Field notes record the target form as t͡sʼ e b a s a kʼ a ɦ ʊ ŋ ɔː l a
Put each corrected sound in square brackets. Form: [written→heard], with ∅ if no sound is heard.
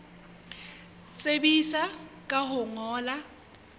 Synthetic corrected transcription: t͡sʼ e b [a→i] s a kʼ a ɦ ʊ ŋ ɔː l a

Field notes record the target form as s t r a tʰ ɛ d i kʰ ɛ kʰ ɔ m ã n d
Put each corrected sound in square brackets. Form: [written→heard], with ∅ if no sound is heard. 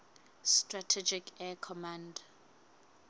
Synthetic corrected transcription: s t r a tʰ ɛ [d→d͡ʒ] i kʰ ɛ kʰ ɔ m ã n d

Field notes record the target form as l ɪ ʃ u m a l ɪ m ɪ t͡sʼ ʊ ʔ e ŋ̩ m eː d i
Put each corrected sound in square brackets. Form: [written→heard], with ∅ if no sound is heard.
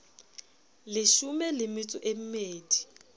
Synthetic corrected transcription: l ɪ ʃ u m [a→ɛ] l ɪ m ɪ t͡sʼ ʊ ʔ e [ŋ̩→m̩] m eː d i

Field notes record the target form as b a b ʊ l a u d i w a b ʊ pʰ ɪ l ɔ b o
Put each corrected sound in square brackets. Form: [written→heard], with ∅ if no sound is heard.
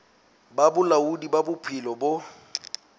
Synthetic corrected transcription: b a b ʊ l a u d i [w→b] a b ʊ pʰ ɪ l ɔ b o

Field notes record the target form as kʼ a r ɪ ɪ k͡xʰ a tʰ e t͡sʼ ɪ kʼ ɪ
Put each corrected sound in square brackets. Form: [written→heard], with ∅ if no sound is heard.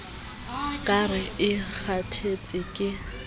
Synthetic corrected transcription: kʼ a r ɪ ɪ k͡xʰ a tʰ e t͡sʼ ɪ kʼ ɪ

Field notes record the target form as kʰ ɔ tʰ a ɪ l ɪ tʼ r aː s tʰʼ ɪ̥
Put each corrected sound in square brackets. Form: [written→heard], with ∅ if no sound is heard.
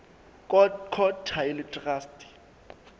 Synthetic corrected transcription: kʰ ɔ tʰ a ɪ l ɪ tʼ r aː s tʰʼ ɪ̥

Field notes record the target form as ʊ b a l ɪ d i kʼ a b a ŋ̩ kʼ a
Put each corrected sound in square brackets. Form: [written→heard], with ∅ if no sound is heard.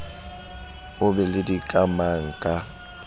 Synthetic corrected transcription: ʊ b [a→ɛ] l ɪ d i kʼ a [b→m] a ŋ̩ kʼ a

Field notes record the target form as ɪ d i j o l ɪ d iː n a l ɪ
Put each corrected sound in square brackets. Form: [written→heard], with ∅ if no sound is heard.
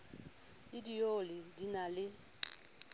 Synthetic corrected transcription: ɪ d i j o l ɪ d [iː→i] n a l ɪ

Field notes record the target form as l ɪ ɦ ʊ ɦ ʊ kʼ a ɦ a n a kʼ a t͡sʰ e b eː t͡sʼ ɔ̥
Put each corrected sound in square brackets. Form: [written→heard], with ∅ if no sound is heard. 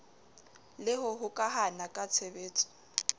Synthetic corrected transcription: l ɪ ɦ ʊ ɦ ʊ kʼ a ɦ a n a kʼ a t͡sʰ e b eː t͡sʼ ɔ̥

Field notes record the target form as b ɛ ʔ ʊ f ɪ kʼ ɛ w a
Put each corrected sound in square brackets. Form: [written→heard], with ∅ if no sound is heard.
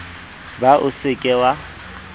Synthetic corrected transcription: b [ɛ→a] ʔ ʊ [f→s] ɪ kʼ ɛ w a

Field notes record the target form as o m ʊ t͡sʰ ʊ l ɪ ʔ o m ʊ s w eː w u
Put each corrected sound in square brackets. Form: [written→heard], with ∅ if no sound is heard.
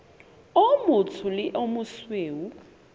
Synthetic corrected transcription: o m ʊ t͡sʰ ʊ l ɪ ʔ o m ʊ s w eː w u

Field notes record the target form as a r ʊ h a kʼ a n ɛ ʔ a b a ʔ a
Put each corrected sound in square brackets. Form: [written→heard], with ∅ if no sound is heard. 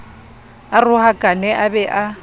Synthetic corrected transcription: a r ʊ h a kʼ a n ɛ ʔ a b [a→ɛ] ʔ a

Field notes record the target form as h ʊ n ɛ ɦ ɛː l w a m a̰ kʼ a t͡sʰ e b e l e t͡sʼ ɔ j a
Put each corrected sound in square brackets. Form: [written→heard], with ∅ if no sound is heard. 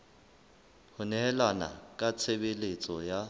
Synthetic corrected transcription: h ʊ n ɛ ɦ [ɛː→ɛ] l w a [m→n] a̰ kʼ a t͡sʰ e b e l e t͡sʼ ɔ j a

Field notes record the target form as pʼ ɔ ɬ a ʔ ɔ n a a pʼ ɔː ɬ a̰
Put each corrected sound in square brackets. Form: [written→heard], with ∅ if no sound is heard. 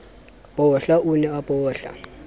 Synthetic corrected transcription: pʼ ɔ ɬ a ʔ [ɔ→u] n [a→ɛ] a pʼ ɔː ɬ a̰

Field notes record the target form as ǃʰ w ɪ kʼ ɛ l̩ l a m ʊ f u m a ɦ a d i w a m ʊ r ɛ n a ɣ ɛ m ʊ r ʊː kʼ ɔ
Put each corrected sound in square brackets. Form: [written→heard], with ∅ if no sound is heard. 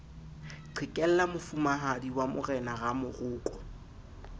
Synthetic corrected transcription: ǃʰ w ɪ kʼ ɛ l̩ l a m ʊ f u m a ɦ a d i w a m ʊ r ɛ n a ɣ [ɛ→a] m ʊ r ʊː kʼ ɔ

